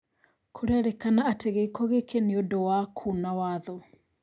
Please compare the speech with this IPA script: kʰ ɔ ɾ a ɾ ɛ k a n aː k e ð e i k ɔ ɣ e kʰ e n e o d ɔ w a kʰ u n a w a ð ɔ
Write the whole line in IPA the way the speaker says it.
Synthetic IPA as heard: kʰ o ɾ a ɾ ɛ k a n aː t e ɣ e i k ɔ ɣ e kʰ e n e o d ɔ w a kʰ u n a w a ð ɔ